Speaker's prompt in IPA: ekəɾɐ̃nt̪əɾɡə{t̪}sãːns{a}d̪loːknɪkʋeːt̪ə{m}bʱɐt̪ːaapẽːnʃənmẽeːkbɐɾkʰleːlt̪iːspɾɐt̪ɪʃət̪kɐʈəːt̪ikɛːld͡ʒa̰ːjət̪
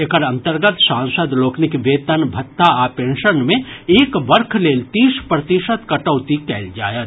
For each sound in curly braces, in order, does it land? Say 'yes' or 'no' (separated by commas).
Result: yes, no, no